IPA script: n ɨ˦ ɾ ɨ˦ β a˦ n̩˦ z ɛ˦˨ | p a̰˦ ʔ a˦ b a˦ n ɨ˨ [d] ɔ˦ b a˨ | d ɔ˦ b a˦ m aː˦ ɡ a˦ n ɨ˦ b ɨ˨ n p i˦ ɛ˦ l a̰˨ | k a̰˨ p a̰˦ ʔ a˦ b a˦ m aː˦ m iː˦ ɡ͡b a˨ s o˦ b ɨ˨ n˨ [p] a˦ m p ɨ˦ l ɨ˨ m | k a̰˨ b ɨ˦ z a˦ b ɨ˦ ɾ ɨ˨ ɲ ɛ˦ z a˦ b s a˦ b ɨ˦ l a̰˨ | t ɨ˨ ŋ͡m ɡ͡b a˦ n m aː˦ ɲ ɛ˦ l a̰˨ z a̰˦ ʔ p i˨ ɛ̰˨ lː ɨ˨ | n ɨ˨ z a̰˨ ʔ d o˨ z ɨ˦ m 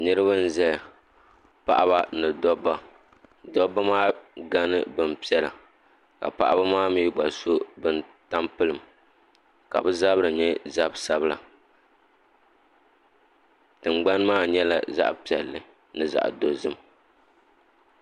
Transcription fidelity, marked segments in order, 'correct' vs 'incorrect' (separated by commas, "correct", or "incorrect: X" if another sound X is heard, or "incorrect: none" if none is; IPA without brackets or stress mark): correct, incorrect: t